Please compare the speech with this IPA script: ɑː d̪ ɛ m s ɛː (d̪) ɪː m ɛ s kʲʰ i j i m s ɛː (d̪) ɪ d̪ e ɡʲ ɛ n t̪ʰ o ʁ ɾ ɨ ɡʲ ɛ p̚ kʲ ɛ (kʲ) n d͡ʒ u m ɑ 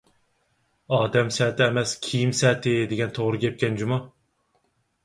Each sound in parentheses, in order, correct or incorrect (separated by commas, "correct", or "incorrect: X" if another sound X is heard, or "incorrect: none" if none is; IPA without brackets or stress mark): incorrect: t̪, incorrect: t̪, incorrect: none